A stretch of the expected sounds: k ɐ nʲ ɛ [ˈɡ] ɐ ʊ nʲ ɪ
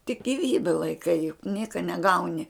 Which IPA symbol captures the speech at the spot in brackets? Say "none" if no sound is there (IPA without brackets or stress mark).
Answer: ɡ